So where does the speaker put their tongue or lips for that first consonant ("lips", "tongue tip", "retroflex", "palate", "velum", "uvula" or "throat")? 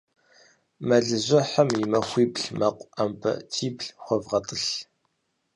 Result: lips